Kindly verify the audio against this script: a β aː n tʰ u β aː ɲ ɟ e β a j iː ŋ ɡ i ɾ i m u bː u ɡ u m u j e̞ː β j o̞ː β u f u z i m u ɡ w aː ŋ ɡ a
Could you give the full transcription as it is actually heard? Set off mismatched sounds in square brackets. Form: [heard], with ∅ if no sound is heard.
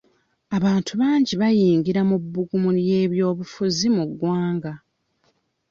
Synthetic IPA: a β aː n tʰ u β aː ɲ ɟ [i] β a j iː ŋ ɡ i ɾ [a] m u bː u ɡ u m u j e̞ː β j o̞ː β u f u z i m u ɡ w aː ŋ ɡ a